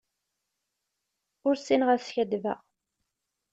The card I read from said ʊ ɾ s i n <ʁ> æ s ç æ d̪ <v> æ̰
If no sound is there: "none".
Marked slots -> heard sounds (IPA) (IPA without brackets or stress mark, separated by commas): ʁ, v